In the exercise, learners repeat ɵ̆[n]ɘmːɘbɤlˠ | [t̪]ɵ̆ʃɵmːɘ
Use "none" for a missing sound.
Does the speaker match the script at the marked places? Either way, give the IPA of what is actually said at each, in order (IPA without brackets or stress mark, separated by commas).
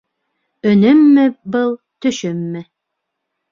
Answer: n, t̪